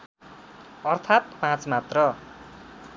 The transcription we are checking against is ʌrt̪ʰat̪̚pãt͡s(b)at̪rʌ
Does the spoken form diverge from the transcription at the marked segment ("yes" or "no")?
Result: yes